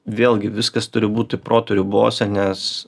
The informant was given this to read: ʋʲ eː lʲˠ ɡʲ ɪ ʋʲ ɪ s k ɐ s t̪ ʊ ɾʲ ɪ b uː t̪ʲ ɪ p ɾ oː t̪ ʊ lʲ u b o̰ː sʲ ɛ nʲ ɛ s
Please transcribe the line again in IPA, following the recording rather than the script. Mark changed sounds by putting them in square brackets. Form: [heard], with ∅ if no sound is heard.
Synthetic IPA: ʋʲ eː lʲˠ ɡʲ ɪ ʋʲ ɪ s k ɐ s t̪ ʊ ɾʲ ɪ b uː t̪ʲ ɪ p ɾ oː t̪ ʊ [ɾʲ] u b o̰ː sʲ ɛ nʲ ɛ s